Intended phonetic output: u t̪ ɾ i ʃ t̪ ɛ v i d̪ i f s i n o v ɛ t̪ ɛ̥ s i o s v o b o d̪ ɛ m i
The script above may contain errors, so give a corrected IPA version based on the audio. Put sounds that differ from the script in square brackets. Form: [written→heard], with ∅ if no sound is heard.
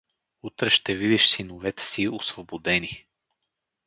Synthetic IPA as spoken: u t̪ ɾ [i→ɛ] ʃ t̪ ɛ v i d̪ i [f→ʃ] s i n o v ɛ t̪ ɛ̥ s i o s v o b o d̪ ɛ [m→n] i